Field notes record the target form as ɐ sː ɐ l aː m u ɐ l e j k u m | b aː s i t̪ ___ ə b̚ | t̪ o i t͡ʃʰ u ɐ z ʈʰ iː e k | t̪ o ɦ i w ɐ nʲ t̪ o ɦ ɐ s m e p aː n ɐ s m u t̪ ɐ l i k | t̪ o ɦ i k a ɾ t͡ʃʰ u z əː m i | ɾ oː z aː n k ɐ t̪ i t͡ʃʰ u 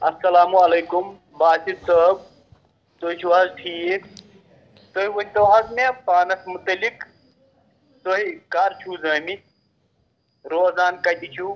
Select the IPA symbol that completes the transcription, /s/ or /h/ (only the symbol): s